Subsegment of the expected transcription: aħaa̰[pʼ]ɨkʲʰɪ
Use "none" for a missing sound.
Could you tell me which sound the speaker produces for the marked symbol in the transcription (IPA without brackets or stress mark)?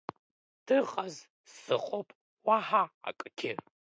kʼ